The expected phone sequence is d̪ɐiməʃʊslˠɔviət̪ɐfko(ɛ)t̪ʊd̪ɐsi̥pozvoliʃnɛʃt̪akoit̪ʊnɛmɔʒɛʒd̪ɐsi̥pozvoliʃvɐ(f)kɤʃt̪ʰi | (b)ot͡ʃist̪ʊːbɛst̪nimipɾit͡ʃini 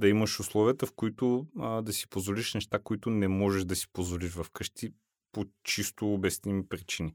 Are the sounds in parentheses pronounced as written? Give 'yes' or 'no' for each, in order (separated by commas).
no, yes, no